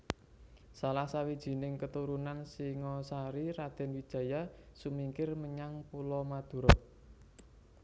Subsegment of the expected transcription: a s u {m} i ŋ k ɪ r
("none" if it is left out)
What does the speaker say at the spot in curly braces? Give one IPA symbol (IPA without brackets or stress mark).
m